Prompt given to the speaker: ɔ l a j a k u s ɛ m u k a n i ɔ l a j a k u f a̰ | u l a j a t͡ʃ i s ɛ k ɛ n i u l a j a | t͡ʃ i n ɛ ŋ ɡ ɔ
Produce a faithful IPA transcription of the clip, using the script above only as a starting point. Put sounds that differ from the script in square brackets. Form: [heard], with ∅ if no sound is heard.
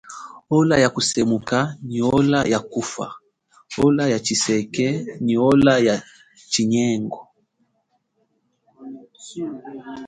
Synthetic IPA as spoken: ɔ l a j a k u s ɛ m u k a n i ɔ l a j a k u f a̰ | [ɔ] l a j a t͡ʃ i s ɛ k ɛ n i [ɔ] l a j a | t͡ʃ i [ɲ] ɛ ŋ ɡ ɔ